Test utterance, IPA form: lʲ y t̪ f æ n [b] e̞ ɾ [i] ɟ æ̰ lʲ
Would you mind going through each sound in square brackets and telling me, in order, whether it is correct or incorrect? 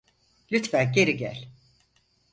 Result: incorrect: ɟ, correct

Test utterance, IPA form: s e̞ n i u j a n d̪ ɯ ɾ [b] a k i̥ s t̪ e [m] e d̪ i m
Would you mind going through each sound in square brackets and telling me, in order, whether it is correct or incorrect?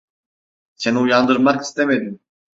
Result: incorrect: m, correct

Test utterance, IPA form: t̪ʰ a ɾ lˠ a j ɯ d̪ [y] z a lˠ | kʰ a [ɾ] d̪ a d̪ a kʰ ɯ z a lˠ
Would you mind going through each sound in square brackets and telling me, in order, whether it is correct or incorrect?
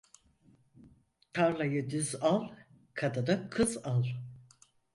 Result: correct, incorrect: none

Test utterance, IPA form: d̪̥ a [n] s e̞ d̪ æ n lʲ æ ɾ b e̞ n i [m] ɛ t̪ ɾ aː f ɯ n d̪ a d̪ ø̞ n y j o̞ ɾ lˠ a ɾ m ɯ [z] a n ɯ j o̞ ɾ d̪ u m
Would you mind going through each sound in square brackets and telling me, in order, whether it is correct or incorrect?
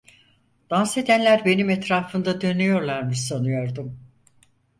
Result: correct, correct, incorrect: s

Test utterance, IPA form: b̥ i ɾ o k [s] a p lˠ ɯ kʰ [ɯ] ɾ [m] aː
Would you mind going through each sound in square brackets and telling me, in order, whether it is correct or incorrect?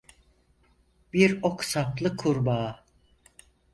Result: correct, incorrect: u, incorrect: b

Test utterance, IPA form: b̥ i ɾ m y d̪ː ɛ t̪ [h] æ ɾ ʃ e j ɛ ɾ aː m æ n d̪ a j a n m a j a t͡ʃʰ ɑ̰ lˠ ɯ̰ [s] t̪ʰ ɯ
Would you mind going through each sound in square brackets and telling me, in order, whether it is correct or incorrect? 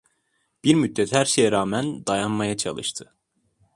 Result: correct, incorrect: ʃ

